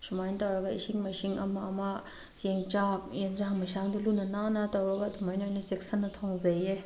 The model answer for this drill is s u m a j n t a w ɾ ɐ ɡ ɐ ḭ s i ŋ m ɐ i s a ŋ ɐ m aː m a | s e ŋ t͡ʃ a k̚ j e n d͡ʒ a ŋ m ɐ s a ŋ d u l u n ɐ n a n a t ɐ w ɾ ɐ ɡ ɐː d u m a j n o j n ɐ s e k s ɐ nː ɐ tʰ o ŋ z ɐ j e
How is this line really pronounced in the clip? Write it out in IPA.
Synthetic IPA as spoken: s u m a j n t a w ɾ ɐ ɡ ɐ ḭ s i ŋ m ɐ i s i ŋ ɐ m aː m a | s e ŋ t͡ʃ a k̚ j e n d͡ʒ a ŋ m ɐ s a ŋ d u l u n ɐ n a n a t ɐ w ɾ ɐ ɡ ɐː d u m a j n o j n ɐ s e k s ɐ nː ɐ tʰ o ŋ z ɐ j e